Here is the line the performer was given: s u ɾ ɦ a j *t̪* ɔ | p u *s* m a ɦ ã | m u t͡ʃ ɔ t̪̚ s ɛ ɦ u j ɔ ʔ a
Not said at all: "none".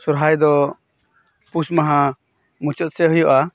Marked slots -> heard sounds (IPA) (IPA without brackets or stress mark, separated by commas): d̪, s